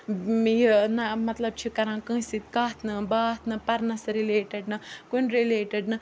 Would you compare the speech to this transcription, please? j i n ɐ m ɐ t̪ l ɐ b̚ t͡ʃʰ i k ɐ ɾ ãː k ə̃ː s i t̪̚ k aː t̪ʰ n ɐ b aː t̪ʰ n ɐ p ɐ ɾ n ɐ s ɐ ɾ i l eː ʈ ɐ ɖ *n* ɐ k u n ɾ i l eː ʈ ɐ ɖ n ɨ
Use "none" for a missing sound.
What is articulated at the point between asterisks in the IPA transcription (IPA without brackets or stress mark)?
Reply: n